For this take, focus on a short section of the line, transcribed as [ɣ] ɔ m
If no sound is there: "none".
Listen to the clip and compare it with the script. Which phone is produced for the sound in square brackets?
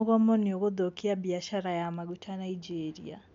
ɣ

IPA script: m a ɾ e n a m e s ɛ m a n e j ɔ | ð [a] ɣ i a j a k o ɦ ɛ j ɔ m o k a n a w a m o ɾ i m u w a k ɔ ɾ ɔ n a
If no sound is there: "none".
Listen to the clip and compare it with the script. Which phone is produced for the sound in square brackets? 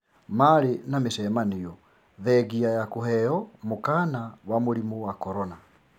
ɛ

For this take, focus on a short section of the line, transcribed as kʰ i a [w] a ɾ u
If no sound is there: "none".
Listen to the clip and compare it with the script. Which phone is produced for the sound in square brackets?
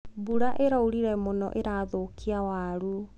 w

